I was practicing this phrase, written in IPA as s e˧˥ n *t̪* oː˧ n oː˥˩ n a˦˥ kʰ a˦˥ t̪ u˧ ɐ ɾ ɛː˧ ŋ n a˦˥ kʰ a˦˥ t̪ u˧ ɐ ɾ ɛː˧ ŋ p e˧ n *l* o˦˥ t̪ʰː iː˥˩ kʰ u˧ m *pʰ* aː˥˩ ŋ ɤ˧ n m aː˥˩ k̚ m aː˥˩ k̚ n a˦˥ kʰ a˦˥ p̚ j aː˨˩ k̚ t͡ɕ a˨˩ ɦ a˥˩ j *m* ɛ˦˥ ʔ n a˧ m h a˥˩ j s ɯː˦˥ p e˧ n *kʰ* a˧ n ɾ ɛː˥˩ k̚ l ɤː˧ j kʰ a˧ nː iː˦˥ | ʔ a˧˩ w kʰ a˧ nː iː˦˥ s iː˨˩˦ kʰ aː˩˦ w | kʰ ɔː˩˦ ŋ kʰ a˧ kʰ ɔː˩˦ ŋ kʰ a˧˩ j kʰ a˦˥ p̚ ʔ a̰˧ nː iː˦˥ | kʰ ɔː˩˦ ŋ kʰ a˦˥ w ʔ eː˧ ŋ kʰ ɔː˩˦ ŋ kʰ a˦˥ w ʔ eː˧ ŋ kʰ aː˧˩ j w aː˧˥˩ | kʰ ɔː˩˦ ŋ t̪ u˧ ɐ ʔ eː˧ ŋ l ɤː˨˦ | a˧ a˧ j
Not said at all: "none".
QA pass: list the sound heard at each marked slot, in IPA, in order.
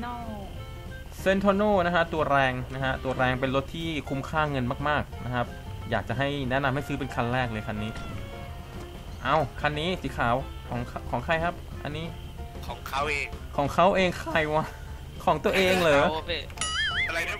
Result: t̪ʰ, l, kʰ, n, kʰ

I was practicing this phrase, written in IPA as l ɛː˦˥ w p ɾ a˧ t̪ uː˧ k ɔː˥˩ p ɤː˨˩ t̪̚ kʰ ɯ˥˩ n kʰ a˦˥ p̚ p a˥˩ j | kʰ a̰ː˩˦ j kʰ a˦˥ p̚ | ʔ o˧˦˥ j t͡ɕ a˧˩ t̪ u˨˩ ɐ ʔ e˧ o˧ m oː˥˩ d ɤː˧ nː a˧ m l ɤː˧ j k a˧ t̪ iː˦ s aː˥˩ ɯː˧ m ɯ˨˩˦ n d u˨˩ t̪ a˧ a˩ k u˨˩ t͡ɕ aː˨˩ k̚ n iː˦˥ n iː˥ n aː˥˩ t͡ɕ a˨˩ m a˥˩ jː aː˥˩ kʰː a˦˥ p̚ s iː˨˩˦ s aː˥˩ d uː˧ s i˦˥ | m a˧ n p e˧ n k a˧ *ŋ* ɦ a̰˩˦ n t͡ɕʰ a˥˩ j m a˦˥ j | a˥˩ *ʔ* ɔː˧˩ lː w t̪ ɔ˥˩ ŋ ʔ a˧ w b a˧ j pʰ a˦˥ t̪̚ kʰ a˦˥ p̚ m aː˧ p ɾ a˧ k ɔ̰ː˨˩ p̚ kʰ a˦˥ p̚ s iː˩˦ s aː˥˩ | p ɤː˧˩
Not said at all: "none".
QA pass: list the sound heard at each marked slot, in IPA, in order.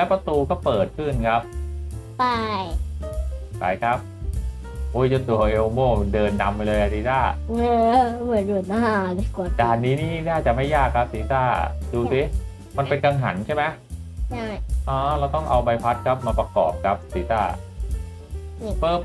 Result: ŋ, ʔ

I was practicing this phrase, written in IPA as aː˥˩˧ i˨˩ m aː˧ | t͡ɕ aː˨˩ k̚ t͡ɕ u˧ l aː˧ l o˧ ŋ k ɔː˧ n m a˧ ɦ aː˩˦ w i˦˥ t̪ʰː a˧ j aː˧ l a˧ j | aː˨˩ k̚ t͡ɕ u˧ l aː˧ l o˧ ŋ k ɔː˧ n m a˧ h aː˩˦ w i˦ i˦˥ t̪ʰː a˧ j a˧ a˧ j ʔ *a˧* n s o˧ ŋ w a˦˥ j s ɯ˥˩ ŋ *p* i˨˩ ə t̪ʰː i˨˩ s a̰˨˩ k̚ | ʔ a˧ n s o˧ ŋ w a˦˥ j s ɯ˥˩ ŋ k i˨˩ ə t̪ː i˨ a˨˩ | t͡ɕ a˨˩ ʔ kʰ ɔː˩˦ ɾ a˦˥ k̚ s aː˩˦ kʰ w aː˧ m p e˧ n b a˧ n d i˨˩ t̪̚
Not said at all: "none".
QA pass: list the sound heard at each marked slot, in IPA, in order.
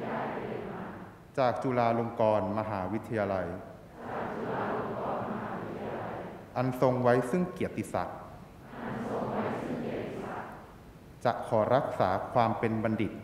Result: a˧, k

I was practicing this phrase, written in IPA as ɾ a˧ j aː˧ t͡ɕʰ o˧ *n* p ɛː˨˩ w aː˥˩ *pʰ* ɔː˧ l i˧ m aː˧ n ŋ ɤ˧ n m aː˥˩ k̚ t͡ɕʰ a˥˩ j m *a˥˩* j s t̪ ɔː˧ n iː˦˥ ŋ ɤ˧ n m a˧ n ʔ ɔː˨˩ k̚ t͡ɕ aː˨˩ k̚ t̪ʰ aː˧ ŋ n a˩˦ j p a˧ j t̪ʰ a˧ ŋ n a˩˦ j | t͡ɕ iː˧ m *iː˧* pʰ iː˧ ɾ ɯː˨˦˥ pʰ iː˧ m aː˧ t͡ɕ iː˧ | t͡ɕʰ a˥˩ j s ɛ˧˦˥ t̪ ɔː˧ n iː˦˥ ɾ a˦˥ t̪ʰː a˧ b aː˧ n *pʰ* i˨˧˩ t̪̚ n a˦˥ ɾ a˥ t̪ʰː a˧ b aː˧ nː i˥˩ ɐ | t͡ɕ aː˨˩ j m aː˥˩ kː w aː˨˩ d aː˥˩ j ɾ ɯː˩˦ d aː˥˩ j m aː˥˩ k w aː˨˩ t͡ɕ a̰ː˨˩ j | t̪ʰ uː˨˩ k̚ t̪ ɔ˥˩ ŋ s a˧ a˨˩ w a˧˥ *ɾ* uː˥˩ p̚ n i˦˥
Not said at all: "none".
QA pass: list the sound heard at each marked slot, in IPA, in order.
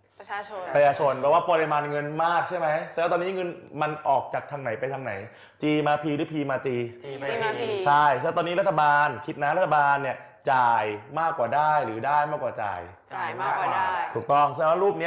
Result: n, p, a˦˥, aː˧, kʰ, ɾ

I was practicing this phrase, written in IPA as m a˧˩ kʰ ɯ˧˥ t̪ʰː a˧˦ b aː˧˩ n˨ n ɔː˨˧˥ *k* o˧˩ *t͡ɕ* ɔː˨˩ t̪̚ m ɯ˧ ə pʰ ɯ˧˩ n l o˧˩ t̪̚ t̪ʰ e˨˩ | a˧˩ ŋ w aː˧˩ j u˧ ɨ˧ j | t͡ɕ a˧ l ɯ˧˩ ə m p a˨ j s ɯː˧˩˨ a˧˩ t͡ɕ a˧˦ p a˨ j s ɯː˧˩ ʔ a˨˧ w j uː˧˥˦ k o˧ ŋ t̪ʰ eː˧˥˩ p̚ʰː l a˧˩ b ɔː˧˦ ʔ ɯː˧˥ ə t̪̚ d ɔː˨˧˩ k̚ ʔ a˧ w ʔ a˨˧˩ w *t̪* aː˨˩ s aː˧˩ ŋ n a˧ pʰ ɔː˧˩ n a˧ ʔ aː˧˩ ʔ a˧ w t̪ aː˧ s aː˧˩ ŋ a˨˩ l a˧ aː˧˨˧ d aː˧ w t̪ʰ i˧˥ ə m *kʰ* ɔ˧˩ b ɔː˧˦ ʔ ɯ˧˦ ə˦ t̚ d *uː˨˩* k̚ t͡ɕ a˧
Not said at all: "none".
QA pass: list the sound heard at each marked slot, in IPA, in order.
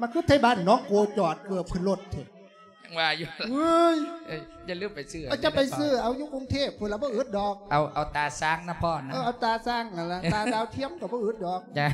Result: k, t͡ɕ, t̪, k, ɔː˨˩

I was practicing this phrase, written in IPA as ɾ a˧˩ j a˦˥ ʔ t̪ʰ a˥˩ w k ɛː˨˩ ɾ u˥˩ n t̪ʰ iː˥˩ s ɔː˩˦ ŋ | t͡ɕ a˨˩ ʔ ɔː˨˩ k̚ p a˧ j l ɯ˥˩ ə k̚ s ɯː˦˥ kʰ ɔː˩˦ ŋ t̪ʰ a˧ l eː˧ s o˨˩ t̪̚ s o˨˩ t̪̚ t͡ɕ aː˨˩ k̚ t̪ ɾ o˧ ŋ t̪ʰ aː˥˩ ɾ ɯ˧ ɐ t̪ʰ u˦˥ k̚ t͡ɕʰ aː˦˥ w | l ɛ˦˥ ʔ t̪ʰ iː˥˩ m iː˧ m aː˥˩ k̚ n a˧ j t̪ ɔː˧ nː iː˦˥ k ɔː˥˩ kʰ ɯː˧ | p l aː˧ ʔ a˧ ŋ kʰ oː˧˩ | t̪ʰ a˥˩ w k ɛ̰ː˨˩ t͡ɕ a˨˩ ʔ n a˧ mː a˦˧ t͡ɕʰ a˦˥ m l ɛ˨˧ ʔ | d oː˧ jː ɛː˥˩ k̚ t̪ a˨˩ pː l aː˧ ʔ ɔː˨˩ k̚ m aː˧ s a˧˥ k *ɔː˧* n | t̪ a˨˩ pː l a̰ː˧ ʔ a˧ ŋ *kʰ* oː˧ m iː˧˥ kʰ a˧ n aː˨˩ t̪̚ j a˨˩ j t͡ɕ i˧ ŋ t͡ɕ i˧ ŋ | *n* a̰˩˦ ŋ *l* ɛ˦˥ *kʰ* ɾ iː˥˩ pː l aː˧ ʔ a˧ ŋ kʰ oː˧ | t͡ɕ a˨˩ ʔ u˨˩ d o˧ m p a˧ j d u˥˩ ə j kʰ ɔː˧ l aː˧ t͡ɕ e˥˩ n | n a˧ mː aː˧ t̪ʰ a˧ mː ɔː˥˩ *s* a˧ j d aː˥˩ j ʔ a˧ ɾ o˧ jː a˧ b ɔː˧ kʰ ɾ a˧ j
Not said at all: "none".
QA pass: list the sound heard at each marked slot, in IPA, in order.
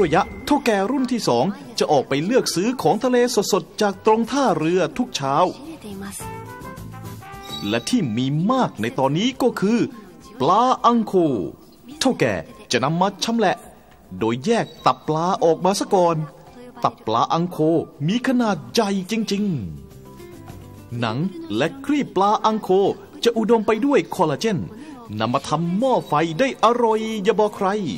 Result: ɔː˧, kʰ, n, l, kʰ, f

